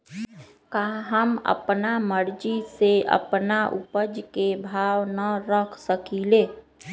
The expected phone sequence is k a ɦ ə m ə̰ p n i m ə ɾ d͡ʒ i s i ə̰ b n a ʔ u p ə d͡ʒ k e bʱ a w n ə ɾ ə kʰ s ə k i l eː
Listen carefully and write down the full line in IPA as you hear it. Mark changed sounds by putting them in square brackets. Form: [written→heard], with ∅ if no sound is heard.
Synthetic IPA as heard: k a ɦ ə m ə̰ p n [i→a] m ə ɾ d͡ʒ i s [i→e] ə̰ [b→p] n a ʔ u p ə d͡ʒ k e bʱ a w n ə ɾ ə kʰ s ə k i l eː

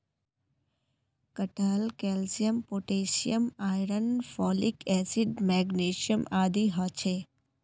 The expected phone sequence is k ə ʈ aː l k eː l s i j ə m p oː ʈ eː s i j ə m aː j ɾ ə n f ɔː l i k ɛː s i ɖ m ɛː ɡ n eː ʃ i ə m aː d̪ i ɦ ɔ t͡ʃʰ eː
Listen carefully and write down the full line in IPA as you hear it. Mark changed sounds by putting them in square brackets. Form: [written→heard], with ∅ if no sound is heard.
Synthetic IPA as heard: k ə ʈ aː l k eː l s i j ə m p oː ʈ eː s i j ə m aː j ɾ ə n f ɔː l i k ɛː s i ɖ m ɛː ɡ n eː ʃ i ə m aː d̪ i ɦ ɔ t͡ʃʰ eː

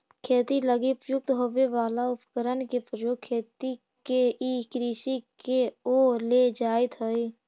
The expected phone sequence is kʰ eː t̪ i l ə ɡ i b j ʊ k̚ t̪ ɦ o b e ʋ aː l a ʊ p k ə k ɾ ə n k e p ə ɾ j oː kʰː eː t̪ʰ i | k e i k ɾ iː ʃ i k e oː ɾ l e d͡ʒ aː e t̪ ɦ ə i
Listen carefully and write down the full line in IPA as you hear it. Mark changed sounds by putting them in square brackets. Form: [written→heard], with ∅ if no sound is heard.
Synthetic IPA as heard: kʰ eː t̪ i l ə ɡ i [b→p] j ʊ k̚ t̪ ɦ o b e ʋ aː l a ʊ p k ə [k→∅] ɾ ə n k e p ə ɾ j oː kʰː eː [t̪ʰ→t̪] i | k e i k ɾ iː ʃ i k e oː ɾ l e d͡ʒ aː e t̪ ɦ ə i

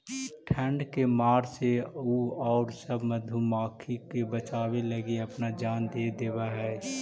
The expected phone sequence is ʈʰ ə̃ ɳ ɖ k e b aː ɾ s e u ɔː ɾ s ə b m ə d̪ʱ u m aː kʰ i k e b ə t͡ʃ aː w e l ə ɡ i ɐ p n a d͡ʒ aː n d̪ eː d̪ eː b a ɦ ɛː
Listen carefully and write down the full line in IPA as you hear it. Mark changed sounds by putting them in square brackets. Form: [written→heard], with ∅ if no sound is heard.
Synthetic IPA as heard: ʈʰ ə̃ ɳ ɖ k e [b→m] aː ɾ s e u ɔː ɾ s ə b m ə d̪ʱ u m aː kʰ i k e b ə t͡ʃ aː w e l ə ɡ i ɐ p n a d͡ʒ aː n d̪ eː d̪ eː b a ɦ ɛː

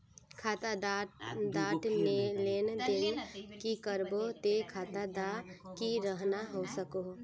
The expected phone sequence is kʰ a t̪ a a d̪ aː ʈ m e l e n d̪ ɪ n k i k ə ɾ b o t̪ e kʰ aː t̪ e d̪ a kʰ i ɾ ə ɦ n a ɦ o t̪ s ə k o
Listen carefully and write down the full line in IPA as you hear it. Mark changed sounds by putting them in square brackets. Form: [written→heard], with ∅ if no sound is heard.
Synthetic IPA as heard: kʰ a t̪ a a d̪ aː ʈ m e l e n d̪ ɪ n k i k ə ɾ b o t̪ e kʰ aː t̪ [e→a] d̪ a [kʰ→k] i ɾ ə ɦ n a ɦ o [t̪→∅] s ə k o

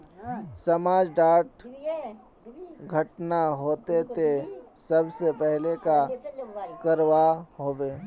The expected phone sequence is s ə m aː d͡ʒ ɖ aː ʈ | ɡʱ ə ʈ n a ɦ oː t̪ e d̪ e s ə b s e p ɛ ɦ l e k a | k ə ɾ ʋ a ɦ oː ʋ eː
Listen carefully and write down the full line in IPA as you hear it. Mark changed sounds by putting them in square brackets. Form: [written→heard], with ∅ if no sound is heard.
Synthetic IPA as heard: s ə m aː d͡ʒ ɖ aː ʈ | ɡʱ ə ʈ n a ɦ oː t̪ e [d̪→t̪] e s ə b s e p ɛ ɦ l e k a | k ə ɾ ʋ a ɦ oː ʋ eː

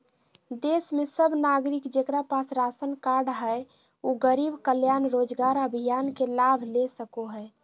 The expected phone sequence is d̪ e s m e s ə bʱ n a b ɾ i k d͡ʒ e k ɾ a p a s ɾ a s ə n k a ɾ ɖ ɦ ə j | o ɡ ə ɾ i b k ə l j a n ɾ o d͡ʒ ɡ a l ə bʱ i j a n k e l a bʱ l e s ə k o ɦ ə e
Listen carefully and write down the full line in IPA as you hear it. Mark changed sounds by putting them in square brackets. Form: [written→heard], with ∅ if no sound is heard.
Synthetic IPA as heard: d̪ e s m e s ə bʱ n a [b→ɡ] ɾ i k d͡ʒ e k ɾ a p a s ɾ a s ə n k a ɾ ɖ ɦ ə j | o ɡ ə ɾ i b k ə l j a n ɾ o d͡ʒ ɡ a [l→ɾ] ə bʱ i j a n k e l a bʱ l e s ə k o ɦ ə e

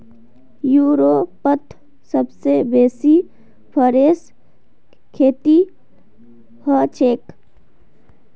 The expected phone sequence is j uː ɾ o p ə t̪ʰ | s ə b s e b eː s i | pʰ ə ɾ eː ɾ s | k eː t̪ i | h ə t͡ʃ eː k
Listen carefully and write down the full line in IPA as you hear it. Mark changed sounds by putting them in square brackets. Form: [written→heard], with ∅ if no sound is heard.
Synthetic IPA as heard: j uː ɾ o p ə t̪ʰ | s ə b s e b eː s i | pʰ ə ɾ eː [ɾ→∅] s | [k→kʰ] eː t̪ i | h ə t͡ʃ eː k

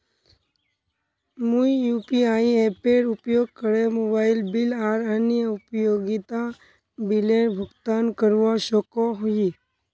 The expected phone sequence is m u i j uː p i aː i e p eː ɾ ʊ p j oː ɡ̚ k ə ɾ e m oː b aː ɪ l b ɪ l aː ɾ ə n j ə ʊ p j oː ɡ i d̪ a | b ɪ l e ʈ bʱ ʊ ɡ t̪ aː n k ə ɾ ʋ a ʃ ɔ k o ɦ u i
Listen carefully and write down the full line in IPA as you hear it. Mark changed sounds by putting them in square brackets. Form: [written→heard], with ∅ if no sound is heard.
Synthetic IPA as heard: m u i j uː p i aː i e p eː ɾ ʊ p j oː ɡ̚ k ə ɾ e m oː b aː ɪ l b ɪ l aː ɾ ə n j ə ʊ p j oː ɡ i [d̪→t̪] a | b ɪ l e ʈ bʱ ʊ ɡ t̪ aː n k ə ɾ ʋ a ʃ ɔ k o ɦ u i

